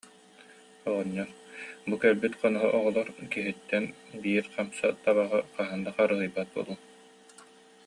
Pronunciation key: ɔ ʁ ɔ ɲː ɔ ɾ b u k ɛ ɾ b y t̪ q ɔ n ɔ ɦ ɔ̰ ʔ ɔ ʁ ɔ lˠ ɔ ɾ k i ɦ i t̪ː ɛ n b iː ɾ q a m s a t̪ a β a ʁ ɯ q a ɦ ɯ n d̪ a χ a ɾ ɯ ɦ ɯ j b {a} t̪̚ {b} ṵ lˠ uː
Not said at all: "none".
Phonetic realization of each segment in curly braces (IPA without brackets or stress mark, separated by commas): a, b